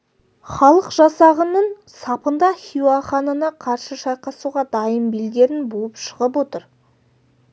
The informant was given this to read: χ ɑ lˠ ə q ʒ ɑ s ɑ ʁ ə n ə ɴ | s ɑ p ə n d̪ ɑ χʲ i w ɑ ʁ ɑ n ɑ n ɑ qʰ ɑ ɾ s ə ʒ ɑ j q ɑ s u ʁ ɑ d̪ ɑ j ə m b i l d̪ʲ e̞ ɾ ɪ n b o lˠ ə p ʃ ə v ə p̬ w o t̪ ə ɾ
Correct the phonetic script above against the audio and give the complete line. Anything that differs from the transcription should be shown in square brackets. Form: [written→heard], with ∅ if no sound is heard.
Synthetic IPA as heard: χ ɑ lˠ ə q ʒ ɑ s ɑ ʁ ə n ə ɴ | s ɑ p ə n d̪ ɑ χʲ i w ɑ [ʁ→χ] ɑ n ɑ n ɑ qʰ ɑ ɾ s ə [ʒ→ʃ] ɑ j q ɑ s u ʁ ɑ d̪ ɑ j ə m b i l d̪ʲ e̞ ɾ ɪ n b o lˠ ə p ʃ ə [v→ʁ] ə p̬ w o t̪ ə ɾ